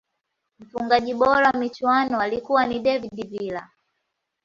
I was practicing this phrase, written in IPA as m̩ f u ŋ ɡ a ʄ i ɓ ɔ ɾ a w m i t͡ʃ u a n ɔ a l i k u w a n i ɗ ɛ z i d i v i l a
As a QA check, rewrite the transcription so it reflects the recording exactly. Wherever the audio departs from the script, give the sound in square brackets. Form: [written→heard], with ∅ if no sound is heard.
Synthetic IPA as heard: m̩ f u ŋ ɡ a ʄ i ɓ ɔ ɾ a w m i t͡ʃ [u→w] a n ɔ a l i k u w a n i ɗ ɛ [z→v] i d i v i l a